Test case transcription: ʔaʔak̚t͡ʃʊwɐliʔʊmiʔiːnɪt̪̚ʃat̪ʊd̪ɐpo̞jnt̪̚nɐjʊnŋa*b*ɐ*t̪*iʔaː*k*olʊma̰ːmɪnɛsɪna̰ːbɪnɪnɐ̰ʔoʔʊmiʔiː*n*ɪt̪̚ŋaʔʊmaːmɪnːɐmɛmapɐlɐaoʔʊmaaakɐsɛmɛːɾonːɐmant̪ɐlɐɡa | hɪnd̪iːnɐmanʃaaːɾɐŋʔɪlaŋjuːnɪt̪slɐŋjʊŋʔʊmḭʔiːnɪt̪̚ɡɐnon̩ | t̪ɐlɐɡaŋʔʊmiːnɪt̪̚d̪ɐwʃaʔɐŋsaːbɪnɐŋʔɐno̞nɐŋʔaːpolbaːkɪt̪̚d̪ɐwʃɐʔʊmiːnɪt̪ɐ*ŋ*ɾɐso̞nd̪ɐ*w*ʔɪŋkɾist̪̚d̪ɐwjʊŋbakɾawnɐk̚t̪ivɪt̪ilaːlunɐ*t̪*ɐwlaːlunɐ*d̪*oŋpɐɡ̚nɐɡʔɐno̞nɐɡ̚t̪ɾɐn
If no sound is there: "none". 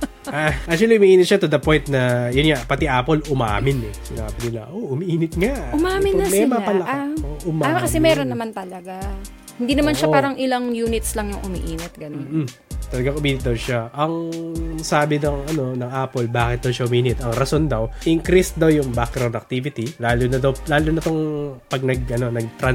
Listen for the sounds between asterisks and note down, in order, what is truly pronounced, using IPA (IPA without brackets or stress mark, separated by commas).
p, t̪, p, n, ŋ, w, d̪, t̪